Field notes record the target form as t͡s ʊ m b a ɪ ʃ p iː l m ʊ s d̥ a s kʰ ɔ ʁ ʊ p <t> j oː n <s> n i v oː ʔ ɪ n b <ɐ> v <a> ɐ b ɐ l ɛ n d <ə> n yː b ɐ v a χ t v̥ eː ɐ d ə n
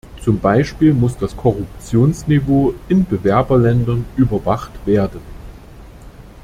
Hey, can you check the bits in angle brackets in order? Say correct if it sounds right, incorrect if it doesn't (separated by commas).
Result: incorrect, correct, incorrect, incorrect, incorrect